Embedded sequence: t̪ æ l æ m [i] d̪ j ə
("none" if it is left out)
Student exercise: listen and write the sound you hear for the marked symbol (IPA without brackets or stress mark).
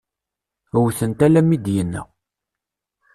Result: i